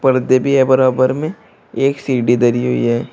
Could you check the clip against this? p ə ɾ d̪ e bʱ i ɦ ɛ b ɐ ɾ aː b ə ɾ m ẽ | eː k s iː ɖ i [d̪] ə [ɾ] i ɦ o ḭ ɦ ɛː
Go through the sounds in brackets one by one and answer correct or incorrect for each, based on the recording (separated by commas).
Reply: correct, correct